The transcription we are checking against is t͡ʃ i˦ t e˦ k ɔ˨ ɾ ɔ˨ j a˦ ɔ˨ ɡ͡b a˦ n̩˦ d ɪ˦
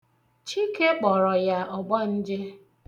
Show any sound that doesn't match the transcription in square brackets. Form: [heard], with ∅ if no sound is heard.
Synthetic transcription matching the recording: t͡ʃ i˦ [k] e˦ [k͡p] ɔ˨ ɾ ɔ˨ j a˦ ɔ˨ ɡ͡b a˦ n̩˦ [d͡ʒ] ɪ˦